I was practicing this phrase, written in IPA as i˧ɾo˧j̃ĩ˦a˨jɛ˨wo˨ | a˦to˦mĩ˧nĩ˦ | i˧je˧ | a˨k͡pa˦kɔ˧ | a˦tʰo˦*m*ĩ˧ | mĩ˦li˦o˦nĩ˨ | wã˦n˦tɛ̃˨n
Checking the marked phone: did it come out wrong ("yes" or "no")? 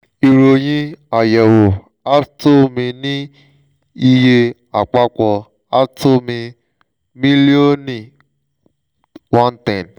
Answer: no